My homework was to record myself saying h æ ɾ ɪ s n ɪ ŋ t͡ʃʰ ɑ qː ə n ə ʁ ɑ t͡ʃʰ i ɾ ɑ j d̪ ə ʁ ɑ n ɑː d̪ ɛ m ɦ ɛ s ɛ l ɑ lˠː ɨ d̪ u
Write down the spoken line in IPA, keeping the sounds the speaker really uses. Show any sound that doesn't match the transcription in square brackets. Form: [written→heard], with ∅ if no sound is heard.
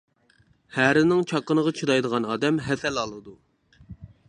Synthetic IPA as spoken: h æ ɾ ɪ [s→∅] n ɪ ŋ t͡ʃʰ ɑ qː ə n ə ʁ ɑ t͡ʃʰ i ɾ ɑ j d̪ ə ʁ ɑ n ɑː d̪ ɛ m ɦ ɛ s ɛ l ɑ [lˠː→lˠ] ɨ d̪ u

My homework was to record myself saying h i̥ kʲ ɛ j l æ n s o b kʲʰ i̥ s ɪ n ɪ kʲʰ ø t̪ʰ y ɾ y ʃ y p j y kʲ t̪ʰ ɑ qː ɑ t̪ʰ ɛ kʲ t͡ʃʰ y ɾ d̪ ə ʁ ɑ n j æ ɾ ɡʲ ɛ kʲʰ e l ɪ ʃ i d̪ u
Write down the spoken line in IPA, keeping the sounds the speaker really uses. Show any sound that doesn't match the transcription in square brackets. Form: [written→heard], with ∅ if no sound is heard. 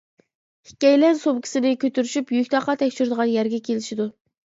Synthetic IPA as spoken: h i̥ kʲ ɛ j l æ n s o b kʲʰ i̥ s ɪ n ɪ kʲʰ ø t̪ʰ y ɾ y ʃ y p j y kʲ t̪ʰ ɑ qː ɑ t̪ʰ ɛ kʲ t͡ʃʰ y ɾ d̪ ə ʁ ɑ n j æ ɾ ɡʲ ɛ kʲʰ e l ɪ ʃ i d̪ u

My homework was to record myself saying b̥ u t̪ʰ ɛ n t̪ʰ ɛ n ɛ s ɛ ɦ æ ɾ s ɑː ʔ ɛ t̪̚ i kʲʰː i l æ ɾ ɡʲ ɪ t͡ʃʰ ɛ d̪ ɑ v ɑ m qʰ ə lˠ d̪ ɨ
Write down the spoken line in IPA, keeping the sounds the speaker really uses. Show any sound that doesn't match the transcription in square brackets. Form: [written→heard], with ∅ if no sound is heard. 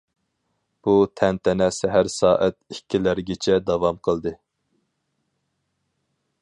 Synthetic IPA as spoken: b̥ u t̪ʰ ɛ n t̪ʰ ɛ n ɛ s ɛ ɦ æ ɾ s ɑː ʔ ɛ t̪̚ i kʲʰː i l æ ɾ ɡʲ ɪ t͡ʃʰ ɛ d̪ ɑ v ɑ m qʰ ə lˠ d̪ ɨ

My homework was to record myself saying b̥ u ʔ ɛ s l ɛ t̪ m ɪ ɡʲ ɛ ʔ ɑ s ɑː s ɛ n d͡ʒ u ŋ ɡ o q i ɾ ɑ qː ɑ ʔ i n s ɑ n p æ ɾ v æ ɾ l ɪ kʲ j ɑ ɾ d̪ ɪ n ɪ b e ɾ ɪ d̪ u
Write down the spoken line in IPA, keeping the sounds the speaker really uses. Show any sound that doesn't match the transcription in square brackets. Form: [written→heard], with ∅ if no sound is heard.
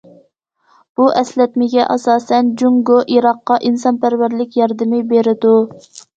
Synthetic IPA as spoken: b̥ u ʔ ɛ s l ɛ t̪ m ɪ ɡʲ ɛ ʔ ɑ s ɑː s ɛ n d͡ʒ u ŋ ɡ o [q→ʔ] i ɾ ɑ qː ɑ ʔ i n s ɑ n p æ ɾ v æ ɾ l ɪ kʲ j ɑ ɾ d̪ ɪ [n→m] ɪ b e ɾ ɪ d̪ u

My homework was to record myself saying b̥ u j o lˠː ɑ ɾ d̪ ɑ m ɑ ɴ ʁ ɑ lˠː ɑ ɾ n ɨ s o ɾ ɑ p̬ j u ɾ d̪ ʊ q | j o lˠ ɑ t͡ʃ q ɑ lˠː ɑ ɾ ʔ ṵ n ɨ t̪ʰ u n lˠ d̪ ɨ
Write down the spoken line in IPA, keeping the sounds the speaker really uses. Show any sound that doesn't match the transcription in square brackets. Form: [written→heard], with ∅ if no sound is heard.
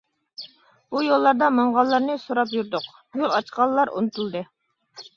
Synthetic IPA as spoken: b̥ u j o lˠː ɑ ɾ d̪ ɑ m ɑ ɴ ʁ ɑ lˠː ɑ ɾ n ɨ s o ɾ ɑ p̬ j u ɾ d̪ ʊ q | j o lˠ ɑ t͡ʃ q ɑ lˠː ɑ ɾ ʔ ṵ n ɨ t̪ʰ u [n→∅] lˠ d̪ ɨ

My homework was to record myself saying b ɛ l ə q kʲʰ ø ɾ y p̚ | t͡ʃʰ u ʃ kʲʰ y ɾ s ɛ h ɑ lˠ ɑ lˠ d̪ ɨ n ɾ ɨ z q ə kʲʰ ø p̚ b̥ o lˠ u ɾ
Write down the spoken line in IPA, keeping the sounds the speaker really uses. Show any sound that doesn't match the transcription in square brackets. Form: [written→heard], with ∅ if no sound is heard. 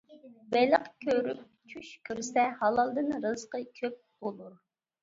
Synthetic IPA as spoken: b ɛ l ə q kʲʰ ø ɾ y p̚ | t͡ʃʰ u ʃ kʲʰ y ɾ s ɛ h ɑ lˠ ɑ lˠ d̪ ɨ n ɾ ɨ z q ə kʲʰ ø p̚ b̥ o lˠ u ɾ

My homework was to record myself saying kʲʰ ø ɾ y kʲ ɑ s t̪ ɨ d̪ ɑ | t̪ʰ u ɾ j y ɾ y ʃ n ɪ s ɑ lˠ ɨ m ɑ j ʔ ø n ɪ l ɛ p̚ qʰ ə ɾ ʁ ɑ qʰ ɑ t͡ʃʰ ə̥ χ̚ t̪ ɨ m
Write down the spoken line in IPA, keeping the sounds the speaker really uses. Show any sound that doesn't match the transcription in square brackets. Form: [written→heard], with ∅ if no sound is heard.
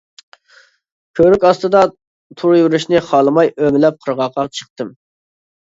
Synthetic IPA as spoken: kʲʰ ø ɾ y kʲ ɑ s t̪ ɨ d̪ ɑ | t̪ʰ u ɾ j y ɾ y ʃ n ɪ [s→χ] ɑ lˠ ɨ m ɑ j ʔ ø [n→m] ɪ l ɛ p̚ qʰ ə ɾ ʁ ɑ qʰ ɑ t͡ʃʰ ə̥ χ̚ t̪ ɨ m

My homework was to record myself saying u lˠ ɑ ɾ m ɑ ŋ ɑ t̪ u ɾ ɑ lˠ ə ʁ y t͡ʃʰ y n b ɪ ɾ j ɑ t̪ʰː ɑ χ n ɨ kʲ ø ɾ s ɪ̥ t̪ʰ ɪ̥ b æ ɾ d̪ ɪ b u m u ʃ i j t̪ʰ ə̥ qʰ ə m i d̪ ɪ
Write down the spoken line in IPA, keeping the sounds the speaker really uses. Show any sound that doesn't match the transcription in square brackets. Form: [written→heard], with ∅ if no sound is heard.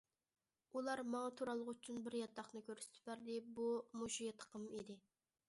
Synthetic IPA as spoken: u lˠ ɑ ɾ m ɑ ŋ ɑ [t̪→t̪ʰ] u ɾ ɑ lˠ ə ʁ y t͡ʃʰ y n b ɪ ɾ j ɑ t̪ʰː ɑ χ n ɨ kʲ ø ɾ s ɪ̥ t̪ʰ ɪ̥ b æ ɾ d̪ ɪ b u m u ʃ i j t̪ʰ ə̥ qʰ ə m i d̪ ɪ

